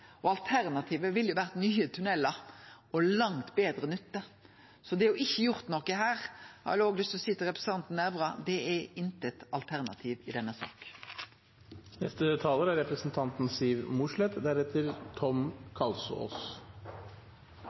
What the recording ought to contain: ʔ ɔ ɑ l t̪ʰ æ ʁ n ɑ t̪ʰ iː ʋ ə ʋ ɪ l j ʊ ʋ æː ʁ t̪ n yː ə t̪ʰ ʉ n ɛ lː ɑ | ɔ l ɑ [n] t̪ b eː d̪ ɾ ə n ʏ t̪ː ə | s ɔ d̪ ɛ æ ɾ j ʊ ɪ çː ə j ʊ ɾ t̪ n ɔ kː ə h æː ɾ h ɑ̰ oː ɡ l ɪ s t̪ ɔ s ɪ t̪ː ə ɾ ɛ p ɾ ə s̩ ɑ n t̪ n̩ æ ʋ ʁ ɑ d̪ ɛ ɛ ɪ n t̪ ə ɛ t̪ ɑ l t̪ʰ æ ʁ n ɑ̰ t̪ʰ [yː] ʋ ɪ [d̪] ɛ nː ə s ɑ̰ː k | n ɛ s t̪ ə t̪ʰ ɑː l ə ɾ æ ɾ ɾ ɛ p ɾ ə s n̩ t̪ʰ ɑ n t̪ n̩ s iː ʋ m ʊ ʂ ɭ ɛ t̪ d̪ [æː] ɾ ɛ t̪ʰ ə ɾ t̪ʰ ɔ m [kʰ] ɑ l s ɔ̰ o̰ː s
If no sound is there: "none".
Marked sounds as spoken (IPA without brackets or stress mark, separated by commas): ŋ, iː, d̪, æ, kʰ